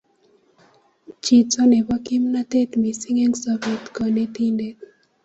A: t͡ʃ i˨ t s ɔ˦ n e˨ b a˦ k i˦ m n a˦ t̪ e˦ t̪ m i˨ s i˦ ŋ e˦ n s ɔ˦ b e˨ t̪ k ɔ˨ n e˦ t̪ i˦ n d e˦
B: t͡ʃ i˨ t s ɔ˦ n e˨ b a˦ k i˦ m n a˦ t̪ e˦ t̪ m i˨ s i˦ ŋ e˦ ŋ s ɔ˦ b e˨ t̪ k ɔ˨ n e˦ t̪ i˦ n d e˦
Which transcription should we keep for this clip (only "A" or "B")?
B